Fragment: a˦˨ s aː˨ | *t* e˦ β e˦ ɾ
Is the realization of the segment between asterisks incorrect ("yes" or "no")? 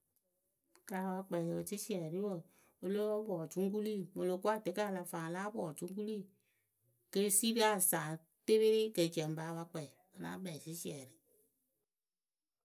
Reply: no